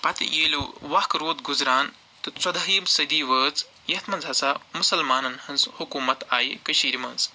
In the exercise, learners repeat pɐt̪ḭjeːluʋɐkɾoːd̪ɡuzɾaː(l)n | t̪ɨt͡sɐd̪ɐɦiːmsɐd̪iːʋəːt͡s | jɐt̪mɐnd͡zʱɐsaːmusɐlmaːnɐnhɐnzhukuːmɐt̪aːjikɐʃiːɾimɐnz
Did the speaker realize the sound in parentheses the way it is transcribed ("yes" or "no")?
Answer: no